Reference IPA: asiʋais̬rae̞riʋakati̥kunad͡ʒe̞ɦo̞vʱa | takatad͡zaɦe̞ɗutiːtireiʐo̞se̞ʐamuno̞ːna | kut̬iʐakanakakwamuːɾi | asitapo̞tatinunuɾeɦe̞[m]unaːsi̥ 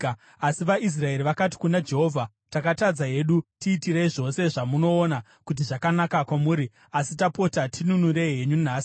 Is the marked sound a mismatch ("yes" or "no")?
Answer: yes